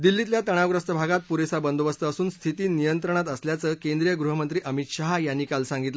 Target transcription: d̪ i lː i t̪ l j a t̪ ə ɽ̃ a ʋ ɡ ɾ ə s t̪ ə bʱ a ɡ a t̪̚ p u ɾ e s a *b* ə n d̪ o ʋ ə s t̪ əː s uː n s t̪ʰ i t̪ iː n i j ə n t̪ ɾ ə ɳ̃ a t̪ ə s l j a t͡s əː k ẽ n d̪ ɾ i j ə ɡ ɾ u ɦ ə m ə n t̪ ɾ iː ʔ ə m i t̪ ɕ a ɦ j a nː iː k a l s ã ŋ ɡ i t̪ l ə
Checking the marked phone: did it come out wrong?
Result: no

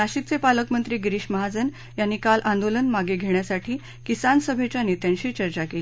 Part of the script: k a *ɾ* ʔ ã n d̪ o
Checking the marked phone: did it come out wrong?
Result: yes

